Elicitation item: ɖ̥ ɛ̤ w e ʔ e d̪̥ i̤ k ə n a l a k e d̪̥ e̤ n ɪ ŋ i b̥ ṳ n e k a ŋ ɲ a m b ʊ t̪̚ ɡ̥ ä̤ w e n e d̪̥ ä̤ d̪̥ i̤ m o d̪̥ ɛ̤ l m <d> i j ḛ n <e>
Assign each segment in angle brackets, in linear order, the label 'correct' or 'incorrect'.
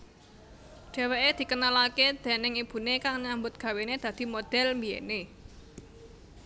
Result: incorrect: b, correct

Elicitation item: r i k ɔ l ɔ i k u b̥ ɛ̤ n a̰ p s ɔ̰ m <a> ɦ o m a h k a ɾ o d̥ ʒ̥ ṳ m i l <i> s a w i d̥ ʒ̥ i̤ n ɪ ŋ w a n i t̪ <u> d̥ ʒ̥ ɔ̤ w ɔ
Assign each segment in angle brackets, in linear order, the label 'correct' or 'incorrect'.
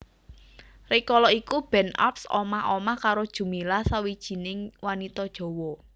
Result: correct, incorrect: a, incorrect: ɔ

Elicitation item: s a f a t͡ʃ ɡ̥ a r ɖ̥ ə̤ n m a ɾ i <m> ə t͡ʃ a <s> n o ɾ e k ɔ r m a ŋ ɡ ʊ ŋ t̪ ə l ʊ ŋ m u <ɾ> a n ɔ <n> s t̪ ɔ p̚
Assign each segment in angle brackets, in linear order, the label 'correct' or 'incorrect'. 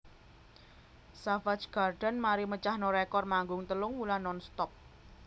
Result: correct, incorrect: h, incorrect: l, correct

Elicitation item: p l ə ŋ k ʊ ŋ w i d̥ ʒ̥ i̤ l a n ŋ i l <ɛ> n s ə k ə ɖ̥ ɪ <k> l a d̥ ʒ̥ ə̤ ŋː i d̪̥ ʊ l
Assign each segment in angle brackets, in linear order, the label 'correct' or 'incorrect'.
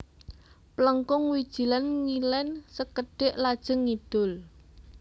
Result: correct, incorrect: ʔ

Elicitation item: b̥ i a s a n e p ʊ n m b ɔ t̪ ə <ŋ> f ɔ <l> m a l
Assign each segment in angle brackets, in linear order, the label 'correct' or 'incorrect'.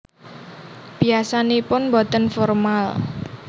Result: incorrect: n, incorrect: r

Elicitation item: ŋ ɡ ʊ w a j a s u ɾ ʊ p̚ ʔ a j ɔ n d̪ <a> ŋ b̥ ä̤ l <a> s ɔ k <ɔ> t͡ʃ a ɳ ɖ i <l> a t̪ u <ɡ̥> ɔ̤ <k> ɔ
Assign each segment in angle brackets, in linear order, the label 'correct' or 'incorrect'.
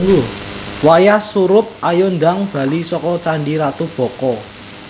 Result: correct, incorrect: i, correct, incorrect: ɾ, incorrect: b̥, correct

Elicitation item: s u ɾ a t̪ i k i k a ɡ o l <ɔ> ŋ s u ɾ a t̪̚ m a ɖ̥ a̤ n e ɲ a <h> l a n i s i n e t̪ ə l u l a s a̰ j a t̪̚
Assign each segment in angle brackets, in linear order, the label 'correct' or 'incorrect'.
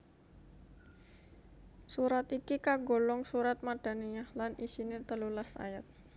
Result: correct, correct

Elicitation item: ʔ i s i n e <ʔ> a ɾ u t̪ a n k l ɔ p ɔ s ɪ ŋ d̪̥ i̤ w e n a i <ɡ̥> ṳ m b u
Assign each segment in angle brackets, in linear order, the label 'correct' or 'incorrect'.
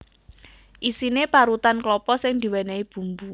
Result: incorrect: p, incorrect: b̥

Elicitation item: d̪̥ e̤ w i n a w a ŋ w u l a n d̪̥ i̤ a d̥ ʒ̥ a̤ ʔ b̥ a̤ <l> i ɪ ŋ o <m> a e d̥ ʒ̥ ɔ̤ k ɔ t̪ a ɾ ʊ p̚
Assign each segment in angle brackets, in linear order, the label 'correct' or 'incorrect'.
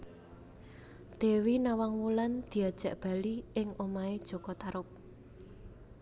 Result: correct, correct

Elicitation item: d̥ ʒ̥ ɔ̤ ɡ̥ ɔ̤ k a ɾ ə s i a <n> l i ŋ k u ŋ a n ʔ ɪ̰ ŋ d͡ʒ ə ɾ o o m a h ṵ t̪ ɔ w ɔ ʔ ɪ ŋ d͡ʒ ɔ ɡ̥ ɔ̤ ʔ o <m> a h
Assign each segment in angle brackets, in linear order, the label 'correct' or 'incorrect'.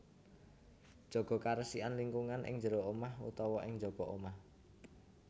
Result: correct, correct

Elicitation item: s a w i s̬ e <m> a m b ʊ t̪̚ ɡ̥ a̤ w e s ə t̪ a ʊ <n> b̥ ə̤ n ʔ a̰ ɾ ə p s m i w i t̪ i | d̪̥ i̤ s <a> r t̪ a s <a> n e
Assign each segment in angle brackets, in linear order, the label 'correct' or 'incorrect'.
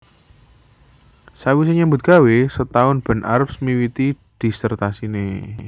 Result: incorrect: ɲ, correct, incorrect: ə, incorrect: i

